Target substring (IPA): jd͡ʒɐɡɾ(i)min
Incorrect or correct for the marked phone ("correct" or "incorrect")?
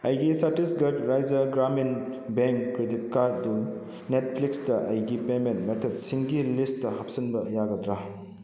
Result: incorrect